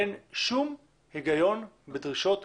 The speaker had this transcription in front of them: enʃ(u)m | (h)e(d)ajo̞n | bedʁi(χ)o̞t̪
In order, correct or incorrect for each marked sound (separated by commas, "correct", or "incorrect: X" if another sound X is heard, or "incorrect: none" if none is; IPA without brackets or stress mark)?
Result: correct, correct, incorrect: ɡ, incorrect: ʃ